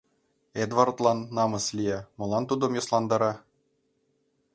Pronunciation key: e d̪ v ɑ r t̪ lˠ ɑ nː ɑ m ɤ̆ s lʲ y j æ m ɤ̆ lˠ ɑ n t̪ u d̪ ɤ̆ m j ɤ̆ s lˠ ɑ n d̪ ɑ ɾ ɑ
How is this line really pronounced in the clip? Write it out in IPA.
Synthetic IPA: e d̪ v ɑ r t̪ lˠ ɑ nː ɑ m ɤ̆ s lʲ i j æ m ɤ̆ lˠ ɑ n t̪ u d̪ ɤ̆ m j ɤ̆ s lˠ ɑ n d̪ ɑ ɾ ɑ

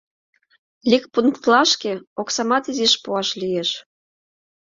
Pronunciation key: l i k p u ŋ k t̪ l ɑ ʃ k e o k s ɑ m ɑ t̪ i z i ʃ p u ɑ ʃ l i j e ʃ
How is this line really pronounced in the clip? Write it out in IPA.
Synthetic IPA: l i k p u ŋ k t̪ l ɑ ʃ k e o k s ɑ m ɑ t̪ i z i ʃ p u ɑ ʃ l i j e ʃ

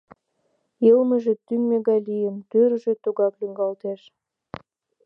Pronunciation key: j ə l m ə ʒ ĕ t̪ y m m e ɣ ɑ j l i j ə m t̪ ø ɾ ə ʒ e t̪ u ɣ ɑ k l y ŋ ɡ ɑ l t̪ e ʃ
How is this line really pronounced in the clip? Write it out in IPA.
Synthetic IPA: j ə l m ə ʒ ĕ t̪ y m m e ɣ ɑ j l i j ə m t̪ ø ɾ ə ʒ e t̪ u ɣ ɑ k l y ŋ ɡ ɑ l t̪ e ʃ

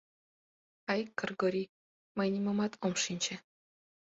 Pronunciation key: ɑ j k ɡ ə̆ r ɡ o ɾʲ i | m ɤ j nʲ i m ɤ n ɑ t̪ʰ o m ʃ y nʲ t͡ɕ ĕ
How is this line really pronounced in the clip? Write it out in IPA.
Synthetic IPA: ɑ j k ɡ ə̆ r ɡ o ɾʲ i | m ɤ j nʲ i m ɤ m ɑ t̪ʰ o m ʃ i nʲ t͡ɕ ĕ

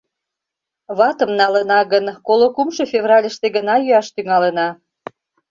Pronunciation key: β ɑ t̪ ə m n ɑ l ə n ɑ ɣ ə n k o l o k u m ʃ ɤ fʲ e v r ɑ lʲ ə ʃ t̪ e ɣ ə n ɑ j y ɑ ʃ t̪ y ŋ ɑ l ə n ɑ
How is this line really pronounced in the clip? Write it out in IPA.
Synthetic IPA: β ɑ t̪ ə m n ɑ l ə n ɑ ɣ ə n k o l o k u m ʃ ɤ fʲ e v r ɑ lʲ ə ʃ t̪ e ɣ ə n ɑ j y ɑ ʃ t̪ y ŋ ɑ l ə n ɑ

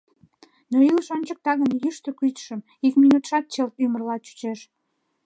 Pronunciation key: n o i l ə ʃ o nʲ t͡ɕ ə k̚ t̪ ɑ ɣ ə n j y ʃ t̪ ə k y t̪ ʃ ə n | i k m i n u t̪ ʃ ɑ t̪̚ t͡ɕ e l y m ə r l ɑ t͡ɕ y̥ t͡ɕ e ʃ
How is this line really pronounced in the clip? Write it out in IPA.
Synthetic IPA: n o i l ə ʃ o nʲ t͡ɕ ə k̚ t̪ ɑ ɣ ə n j y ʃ t̪ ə k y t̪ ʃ ə m | i k m i n u t̪ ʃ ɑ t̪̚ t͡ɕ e l y m ə r l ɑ t͡ɕ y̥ t͡ɕ e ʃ

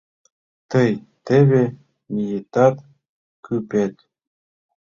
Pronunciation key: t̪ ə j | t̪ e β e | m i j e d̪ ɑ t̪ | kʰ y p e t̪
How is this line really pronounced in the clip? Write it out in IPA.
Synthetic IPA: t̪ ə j | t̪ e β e | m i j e t̪ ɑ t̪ | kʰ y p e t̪

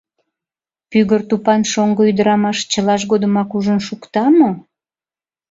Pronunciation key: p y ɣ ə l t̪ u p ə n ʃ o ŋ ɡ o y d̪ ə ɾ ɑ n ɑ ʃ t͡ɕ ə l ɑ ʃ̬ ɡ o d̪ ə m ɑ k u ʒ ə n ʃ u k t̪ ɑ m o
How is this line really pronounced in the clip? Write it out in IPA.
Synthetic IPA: p y ɣ ə r t̪ u p ɑ n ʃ o ŋ ɡ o y d̪ ə ɾ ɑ m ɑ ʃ t͡ɕ ə l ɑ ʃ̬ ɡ o d̪ ə m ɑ k u ʒ ə n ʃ u k t̪ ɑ m o

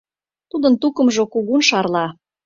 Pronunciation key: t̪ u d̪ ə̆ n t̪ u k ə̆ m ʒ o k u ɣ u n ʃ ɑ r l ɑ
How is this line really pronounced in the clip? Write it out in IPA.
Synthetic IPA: t̪ u d̪ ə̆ n t̪ u k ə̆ m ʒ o k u ɣ u n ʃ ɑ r l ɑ

